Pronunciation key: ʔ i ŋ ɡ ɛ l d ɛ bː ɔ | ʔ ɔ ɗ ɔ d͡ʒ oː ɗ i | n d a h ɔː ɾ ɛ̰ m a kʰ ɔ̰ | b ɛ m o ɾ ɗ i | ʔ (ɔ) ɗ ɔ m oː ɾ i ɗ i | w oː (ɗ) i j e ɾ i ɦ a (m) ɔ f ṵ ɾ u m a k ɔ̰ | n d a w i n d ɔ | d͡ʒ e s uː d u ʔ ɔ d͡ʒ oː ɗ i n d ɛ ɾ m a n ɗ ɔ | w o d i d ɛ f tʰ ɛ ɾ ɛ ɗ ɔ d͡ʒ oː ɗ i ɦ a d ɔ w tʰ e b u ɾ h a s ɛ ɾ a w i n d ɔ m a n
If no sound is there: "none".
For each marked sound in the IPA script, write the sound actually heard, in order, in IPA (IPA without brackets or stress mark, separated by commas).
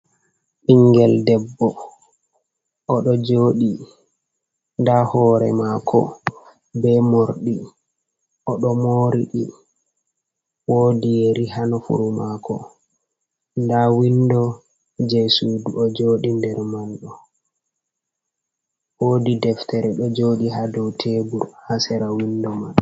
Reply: ɔ, d, n